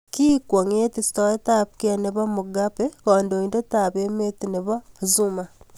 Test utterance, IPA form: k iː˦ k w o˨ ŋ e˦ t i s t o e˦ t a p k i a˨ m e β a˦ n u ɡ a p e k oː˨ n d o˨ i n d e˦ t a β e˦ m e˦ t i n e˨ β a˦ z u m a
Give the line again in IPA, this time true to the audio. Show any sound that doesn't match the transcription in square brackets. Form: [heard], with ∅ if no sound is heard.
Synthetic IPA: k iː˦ k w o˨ ŋ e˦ t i s t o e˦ t a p k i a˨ [n] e β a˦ [m] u ɡ a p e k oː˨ n d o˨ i n d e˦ t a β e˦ m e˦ t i n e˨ β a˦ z u m a